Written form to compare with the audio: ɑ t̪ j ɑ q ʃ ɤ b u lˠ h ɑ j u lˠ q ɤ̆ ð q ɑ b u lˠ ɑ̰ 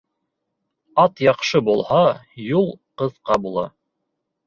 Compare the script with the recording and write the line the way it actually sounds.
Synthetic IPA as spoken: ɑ t̪ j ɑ q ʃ ɤ b u lˠ h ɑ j u lˠ q ɤ̆ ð q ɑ b u lˠ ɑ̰